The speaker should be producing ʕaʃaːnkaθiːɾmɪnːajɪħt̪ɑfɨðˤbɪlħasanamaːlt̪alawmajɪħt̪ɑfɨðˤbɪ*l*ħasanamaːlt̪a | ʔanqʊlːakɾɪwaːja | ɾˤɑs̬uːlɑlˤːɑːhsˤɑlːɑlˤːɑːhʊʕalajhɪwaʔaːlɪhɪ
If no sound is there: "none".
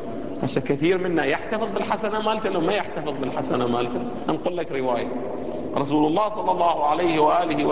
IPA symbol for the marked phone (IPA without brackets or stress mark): l